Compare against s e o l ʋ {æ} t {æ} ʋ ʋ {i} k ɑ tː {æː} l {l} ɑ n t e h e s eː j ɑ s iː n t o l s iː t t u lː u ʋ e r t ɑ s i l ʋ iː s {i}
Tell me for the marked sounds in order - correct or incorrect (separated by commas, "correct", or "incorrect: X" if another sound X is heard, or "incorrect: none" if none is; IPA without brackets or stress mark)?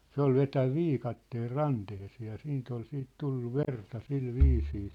incorrect: e, correct, incorrect: iː, incorrect: eː, incorrect: r, incorrect: iː